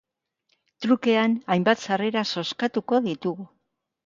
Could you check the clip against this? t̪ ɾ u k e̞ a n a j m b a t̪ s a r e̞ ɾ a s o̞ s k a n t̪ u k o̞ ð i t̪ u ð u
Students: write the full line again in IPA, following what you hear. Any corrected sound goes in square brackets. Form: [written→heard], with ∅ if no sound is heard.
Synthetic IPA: t̪ ɾ u k e̞ a n a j m b a t̪ s a r e̞ ɾ a s o̞ s k a [n→∅] t̪ u k o̞ ð i t̪ u [ð→ɣ] u